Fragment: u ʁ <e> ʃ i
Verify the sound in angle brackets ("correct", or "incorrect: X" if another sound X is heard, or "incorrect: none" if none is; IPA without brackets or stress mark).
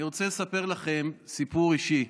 incorrect: i